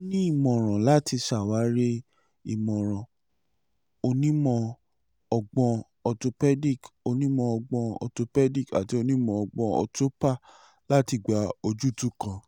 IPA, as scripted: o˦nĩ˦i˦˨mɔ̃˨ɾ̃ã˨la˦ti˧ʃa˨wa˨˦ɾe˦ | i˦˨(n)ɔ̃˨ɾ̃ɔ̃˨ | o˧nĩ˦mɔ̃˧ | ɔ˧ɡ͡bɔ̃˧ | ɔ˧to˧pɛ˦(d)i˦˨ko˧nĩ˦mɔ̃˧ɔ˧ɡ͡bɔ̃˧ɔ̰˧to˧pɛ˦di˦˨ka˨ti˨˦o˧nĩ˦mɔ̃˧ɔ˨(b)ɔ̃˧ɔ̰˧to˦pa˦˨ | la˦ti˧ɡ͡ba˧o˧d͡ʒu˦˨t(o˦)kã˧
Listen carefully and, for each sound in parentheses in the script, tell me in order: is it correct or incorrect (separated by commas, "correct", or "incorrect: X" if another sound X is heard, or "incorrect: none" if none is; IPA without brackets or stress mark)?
incorrect: m, correct, incorrect: ɡ͡b, incorrect: u˦